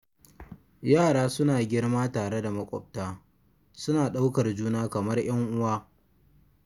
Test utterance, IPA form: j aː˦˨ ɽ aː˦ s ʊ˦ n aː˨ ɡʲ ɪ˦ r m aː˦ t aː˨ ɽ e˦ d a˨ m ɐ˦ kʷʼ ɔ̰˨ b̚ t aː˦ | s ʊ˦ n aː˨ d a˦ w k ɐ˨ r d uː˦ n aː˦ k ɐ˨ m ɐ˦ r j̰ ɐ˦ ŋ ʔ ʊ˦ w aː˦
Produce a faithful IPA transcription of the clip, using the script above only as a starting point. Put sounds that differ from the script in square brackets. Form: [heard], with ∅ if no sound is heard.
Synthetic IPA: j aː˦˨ ɽ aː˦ s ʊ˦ n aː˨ ɡʲ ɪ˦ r m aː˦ t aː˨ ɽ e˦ d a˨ m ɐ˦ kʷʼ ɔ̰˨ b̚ t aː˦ | s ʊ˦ n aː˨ [ɗ] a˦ w k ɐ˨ r [d͡ʒ] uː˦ n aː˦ k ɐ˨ m ɐ˦ r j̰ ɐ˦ ŋ ʔ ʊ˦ w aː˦